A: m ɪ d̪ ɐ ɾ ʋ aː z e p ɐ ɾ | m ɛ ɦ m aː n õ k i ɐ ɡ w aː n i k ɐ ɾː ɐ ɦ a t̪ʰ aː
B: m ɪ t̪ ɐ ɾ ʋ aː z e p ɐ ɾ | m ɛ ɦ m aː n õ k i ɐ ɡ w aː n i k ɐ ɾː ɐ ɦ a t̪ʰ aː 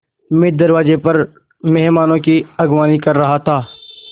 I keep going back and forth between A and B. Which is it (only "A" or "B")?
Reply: A